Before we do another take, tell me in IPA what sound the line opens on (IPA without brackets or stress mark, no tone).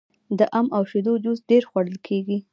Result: d̪